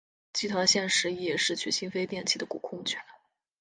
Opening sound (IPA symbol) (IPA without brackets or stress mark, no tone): t͡ɕ